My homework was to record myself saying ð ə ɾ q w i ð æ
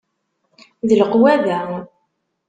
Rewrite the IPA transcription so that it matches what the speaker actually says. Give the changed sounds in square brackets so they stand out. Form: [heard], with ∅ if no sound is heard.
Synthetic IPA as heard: ð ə [l] q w [æ] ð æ